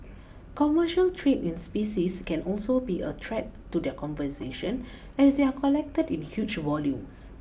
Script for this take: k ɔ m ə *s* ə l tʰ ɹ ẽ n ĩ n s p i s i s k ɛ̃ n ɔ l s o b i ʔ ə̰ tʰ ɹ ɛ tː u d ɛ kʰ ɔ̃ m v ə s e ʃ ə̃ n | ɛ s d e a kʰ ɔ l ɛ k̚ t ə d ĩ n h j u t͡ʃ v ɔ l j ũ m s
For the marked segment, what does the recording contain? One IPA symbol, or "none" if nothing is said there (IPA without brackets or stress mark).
ʃ